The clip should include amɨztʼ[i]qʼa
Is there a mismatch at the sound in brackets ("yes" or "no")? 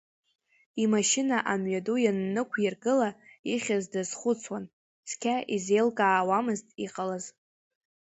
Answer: no